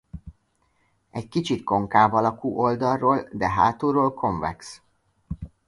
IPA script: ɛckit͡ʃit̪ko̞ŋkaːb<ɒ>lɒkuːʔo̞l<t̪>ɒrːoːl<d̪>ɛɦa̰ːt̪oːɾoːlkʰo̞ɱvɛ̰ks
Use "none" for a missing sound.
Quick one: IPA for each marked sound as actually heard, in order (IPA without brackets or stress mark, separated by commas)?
ɒ, d̪, d̪